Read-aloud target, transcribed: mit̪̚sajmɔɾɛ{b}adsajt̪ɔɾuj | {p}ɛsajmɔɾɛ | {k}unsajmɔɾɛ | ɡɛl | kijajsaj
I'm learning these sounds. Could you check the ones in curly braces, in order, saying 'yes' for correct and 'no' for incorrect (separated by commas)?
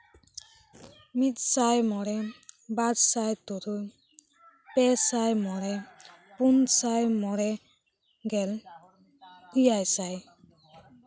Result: yes, yes, no